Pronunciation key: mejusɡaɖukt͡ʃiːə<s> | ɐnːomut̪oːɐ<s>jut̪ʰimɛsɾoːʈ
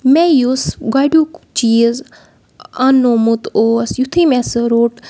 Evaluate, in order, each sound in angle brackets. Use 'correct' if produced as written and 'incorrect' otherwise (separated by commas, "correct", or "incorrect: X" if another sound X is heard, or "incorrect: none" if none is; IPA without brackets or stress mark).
incorrect: z, correct